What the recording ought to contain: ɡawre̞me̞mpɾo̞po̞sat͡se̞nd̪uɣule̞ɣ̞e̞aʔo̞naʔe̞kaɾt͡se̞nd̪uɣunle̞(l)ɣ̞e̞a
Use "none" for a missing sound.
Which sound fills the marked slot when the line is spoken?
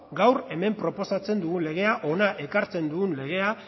none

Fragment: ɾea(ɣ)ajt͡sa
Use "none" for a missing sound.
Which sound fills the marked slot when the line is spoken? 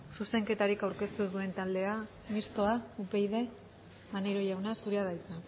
ð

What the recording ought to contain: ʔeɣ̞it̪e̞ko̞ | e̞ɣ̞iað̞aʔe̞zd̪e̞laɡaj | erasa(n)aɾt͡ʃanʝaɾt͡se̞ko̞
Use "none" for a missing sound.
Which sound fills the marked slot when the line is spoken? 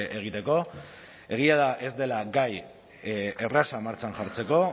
m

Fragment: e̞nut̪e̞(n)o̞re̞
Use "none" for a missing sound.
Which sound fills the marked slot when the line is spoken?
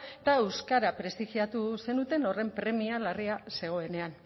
n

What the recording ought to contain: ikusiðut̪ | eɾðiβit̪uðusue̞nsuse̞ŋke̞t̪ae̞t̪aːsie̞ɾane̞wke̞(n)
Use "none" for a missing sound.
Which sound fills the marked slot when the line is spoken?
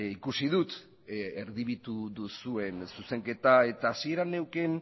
n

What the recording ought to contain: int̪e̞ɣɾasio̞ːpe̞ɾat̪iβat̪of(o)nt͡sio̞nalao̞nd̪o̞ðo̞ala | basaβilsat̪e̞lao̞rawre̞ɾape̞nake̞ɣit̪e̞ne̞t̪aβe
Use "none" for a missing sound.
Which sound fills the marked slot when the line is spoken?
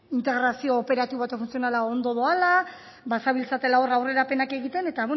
u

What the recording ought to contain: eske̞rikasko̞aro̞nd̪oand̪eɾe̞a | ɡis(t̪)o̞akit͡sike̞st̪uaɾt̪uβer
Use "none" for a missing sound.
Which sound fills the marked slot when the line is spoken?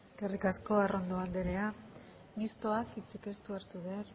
t̪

